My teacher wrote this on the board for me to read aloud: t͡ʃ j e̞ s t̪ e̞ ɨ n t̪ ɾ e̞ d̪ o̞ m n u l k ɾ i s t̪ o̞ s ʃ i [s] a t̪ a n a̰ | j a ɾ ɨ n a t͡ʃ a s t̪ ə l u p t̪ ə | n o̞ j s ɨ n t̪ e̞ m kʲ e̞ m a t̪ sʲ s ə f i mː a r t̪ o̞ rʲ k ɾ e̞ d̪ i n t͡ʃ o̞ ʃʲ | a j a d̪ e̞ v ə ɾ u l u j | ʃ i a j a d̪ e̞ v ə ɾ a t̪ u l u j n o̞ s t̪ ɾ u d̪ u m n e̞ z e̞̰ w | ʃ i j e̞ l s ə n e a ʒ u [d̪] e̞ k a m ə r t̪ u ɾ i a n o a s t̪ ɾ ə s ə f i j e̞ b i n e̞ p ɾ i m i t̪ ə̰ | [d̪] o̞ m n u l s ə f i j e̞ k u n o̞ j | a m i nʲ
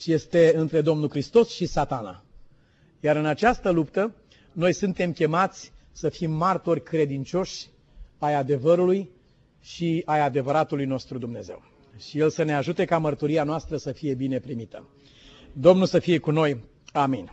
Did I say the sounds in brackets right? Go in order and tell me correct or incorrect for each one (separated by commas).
correct, incorrect, correct